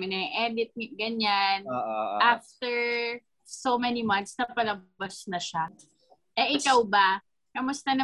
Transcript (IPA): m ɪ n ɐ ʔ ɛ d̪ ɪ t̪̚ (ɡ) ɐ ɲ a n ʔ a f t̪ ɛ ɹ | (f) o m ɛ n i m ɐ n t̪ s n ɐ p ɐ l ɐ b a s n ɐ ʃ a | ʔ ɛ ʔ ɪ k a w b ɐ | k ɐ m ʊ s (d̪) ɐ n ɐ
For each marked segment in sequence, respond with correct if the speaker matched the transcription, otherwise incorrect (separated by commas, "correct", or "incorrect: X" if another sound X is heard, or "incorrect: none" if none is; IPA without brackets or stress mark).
correct, incorrect: s, incorrect: t̪